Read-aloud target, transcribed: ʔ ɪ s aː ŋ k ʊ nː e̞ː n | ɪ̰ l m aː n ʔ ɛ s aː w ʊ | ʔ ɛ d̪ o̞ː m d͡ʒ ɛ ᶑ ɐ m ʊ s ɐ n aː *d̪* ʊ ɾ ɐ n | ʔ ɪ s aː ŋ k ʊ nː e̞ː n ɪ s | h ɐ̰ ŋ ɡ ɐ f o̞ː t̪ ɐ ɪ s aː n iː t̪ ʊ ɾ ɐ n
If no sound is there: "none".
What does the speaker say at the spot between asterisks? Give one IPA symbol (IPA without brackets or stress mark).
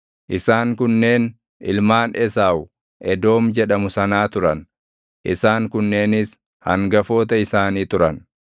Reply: t̪